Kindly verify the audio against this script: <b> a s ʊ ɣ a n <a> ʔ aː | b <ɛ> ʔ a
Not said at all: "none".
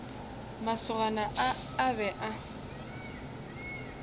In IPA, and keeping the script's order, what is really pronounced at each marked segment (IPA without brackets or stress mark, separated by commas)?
m, a, ɛ